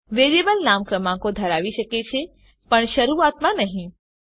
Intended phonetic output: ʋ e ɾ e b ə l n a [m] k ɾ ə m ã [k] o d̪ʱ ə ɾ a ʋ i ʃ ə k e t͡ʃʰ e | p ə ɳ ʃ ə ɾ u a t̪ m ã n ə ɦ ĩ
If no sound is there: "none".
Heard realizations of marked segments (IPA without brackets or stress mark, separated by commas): m, k